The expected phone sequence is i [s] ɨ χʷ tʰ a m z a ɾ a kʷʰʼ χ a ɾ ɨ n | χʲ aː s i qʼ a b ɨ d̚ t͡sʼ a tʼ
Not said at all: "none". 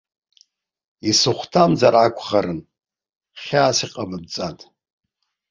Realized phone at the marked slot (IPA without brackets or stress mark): s